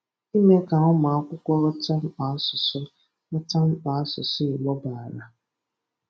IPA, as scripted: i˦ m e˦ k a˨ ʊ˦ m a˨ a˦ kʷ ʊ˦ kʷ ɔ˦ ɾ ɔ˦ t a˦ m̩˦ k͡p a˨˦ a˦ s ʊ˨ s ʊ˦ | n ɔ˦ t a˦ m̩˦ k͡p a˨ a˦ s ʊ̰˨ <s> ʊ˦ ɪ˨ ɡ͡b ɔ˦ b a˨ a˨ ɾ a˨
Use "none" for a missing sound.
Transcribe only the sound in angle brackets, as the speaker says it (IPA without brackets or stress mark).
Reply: s